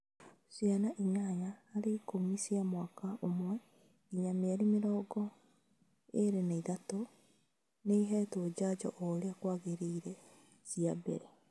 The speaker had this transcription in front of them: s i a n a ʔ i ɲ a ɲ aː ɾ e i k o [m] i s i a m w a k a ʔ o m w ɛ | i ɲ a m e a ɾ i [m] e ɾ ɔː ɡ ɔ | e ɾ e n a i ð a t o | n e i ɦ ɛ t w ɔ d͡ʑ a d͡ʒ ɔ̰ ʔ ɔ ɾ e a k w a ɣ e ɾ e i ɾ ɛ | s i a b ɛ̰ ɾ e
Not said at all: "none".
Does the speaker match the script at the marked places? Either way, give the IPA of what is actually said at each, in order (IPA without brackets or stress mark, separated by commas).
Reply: m, m